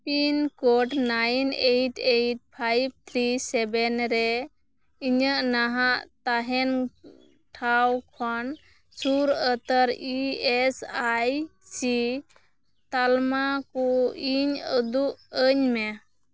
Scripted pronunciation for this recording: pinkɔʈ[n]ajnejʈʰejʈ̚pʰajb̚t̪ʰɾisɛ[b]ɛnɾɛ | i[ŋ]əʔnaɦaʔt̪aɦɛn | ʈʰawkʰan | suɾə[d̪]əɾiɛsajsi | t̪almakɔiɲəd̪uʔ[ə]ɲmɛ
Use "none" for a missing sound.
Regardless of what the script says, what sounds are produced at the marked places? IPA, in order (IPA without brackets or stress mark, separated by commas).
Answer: n, b, ɲ, t̪, ə